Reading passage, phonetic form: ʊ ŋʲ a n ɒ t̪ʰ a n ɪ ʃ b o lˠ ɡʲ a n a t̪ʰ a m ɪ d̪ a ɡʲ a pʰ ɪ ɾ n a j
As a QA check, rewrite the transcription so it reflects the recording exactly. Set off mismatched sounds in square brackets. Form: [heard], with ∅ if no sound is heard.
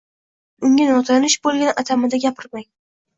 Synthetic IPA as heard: ʊ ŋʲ a n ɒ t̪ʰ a n ɪ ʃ b o lˠ ɡʲ a n a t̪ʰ a m ɪ d̪ a ɡʲ a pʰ ɪ ɾ [m] a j